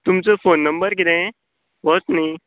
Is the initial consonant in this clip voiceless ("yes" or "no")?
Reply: yes